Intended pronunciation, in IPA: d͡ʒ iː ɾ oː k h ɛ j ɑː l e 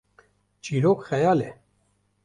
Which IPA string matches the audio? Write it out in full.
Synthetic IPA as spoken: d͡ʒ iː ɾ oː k x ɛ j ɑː l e